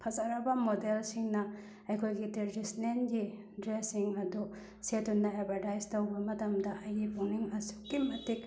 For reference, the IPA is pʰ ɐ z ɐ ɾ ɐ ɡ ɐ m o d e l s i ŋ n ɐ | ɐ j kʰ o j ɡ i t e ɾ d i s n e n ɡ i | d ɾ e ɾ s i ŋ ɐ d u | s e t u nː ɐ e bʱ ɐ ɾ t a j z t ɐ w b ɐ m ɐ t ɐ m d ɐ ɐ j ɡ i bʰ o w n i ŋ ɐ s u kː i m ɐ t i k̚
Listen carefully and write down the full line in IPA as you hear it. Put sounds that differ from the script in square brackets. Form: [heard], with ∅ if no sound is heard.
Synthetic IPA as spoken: pʰ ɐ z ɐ ɾ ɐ [b] ɐ m o d e l s i ŋ n ɐ | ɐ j kʰ o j ɡ i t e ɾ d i s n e n ɡ i | d ɾ e [∅] s i ŋ ɐ d u | s e t u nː ɐ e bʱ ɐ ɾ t a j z t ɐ w b ɐ m ɐ t ɐ m d ɐ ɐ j ɡ i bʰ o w n i ŋ ɐ s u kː i m ɐ t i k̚

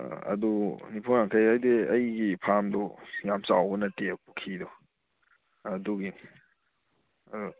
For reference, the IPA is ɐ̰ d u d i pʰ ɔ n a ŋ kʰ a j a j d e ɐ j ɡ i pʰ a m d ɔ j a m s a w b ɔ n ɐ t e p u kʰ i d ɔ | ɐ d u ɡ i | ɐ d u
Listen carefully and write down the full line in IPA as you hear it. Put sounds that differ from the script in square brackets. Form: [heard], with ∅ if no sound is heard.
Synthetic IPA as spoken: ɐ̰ d u [n] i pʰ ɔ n a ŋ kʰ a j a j d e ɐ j ɡ i pʰ a m d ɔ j a m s a w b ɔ n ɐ t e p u kʰ i d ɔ | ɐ d u ɡ i | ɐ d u

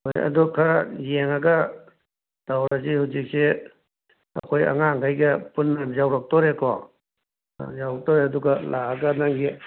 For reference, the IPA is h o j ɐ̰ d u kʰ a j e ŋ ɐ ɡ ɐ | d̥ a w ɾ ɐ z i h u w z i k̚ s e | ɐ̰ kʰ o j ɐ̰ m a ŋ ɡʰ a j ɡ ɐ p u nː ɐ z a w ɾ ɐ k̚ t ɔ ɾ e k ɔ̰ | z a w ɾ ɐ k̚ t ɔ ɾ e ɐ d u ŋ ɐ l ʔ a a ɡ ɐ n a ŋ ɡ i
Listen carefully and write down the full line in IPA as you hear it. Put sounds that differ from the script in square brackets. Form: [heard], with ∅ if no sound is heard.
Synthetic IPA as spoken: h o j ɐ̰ d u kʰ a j e ŋ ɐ ɡ ɐ | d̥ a w ɾ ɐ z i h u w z i k̚ s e | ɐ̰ kʰ o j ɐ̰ [ŋ] a ŋ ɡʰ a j ɡ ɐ p u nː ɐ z a w ɾ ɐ k̚ t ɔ ɾ e k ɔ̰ | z a w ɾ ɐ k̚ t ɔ ɾ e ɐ d u [ɡ] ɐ l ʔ a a ɡ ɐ n a ŋ ɡ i

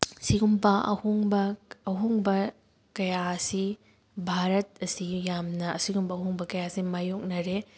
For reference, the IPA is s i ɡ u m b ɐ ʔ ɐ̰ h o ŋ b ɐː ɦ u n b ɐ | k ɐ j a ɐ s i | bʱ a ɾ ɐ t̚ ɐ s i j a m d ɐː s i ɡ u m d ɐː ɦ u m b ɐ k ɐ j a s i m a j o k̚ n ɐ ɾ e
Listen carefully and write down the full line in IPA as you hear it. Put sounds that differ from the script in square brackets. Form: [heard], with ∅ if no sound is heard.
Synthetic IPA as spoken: s i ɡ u m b ɐ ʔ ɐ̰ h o ŋ b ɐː ɦ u [ŋ] b ɐ | k ɐ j a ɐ s i | bʱ a ɾ ɐ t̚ ɐ s i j a m [n] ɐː s i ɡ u m [b] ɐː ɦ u [ŋ] b ɐ k ɐ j a s i m a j o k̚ n ɐ ɾ e

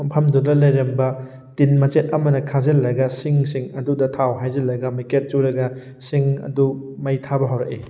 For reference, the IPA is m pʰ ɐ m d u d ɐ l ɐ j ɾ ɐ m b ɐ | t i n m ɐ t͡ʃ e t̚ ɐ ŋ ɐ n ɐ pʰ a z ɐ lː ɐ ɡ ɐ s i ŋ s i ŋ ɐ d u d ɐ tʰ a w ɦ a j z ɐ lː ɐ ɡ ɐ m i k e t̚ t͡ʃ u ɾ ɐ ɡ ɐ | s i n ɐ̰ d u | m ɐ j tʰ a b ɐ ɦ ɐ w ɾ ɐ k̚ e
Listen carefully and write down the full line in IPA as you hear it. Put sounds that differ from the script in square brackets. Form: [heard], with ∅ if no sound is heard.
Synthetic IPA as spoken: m pʰ ɐ m d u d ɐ l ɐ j ɾ ɐ m b ɐ | t i n m ɐ t͡ʃ e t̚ ɐ [m] ɐ n ɐ [kʰ] a z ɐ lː ɐ ɡ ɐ s i ŋ s i ŋ ɐ d u d ɐ tʰ a w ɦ a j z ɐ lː ɐ ɡ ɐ m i k e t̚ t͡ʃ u ɾ ɐ ɡ ɐ | s i [ŋ] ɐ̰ d u | m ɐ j tʰ a b ɐ ɦ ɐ w ɾ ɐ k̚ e

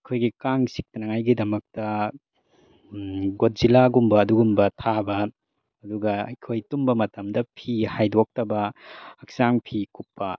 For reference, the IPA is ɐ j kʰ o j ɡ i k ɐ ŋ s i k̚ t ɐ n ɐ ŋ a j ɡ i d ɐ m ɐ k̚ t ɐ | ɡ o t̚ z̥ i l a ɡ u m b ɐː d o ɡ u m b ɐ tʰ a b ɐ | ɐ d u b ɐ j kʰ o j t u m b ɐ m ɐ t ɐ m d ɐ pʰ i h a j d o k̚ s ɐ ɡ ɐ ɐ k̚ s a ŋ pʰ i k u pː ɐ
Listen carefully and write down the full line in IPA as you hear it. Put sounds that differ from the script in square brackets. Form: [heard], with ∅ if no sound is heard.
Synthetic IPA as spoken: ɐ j kʰ o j ɡ i k [a] ŋ s i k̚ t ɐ n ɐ ŋ a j ɡ i d ɐ m ɐ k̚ t ɐ | ɡ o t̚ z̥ i l a ɡ u m b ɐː d [u] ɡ u m b ɐ tʰ a b ɐ | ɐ d u [ɡ] ɐ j kʰ o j t u m b ɐ m ɐ t ɐ m d ɐ pʰ i h a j d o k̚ [t] ɐ [b] ɐ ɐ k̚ s a ŋ pʰ i k u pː ɐ

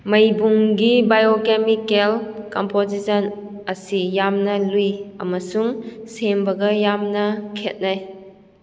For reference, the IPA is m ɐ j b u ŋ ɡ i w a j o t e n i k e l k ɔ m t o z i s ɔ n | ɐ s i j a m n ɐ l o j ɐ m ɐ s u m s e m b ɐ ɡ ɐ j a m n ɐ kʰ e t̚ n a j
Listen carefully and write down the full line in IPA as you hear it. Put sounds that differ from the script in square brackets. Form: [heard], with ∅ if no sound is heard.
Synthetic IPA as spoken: m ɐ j b u ŋ ɡ i [b] a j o [k] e [m] i k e l k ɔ m [p] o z i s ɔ n | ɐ s i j a m n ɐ l [u] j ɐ m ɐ s u [ŋ] s e m b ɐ ɡ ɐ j a m n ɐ kʰ e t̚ n a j

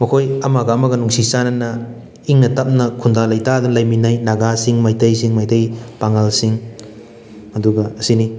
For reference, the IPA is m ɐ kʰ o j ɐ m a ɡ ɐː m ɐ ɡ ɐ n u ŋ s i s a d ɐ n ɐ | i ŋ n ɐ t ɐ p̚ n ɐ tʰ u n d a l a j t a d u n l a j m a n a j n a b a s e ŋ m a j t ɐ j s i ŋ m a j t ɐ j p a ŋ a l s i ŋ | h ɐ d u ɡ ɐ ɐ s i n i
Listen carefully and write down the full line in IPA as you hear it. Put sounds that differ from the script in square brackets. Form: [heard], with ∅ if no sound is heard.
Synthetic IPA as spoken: m ɐ kʰ o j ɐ m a ɡ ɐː m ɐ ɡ ɐ n u ŋ s i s a [n] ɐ n ɐ | i ŋ n ɐ t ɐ p̚ n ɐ [kʰ] u n d a l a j t a d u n l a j m [i] n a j n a [ɡ] a s [i] ŋ m a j t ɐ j s i ŋ m a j t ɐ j p a ŋ a l s i ŋ | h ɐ d u ɡ ɐ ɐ s i n i

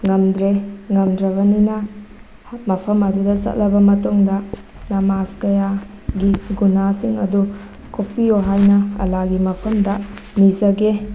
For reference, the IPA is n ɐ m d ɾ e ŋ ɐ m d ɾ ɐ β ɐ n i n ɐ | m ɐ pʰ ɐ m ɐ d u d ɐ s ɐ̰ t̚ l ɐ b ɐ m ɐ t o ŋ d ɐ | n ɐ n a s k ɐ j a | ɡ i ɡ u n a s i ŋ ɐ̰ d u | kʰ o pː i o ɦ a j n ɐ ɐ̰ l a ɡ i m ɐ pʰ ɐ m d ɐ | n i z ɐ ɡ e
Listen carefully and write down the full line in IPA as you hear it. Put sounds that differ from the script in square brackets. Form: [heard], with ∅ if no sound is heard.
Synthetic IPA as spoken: [ŋ] ɐ m d ɾ e ŋ ɐ m d ɾ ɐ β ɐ n i n ɐ | m ɐ pʰ ɐ m ɐ d u d ɐ s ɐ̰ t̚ l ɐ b ɐ m ɐ t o ŋ d ɐ | n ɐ [m] a s k ɐ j a | ɡ i ɡ u n a s i ŋ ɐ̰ d u | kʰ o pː i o ɦ a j n ɐ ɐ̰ l a ɡ i m ɐ pʰ ɐ m d ɐ | n i z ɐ ɡ e

